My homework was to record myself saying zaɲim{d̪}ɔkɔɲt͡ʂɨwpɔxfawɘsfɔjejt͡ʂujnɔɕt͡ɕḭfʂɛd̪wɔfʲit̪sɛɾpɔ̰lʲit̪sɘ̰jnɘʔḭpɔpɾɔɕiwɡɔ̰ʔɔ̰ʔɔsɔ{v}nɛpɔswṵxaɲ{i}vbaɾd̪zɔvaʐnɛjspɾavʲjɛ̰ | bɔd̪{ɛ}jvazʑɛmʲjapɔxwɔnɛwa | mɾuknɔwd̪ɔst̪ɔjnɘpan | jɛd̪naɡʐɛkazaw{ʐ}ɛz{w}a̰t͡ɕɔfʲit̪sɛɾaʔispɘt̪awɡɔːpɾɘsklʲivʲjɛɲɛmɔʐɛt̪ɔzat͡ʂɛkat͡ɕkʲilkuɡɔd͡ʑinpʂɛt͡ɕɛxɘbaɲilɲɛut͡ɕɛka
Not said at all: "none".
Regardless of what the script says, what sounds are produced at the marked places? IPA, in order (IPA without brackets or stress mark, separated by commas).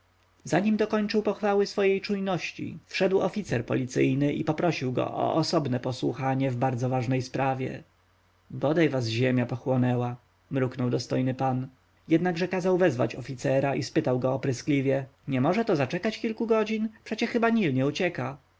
d̪, b, ɛ, a, v, v